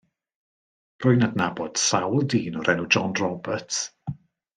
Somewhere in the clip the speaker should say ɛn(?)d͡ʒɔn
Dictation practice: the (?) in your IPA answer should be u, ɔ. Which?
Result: u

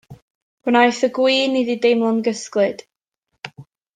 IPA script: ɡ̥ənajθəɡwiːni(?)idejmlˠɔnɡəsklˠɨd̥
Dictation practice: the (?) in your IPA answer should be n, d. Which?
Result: d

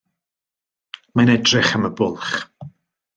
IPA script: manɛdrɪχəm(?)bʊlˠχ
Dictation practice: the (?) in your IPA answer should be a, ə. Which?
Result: ə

